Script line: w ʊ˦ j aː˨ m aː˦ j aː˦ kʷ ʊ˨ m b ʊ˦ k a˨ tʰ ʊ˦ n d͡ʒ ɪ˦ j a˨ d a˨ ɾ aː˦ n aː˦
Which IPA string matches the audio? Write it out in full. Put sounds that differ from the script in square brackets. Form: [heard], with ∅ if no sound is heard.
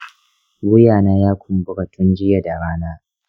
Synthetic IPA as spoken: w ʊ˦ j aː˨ [n] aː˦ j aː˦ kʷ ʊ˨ m b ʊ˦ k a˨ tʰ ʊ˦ n d͡ʒ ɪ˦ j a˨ d a˨ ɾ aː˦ n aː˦